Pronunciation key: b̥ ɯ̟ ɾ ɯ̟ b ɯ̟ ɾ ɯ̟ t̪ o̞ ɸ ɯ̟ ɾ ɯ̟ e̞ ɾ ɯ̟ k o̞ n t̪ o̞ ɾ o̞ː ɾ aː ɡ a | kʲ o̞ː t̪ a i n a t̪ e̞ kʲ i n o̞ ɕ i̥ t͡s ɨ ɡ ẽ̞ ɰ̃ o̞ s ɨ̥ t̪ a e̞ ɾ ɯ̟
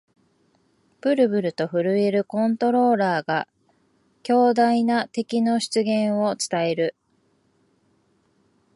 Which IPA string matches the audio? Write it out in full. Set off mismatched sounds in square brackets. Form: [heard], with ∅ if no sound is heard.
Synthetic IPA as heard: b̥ ɯ̟ ɾ ɯ̟ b ɯ̟ ɾ ɯ̟ t̪ o̞ ɸ ɯ̟ ɾ ɯ̟ e̞ ɾ ɯ̟ k [õ̞] n t̪ o̞ ɾ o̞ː ɾ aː ɡ a | kʲ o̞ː [d̪] a i n a t̪ e̞ kʲ i n o̞ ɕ i̥ t͡s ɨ ɡ ẽ̞ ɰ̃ o̞ [t͡s] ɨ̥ t̪ a e̞ ɾ ɯ̟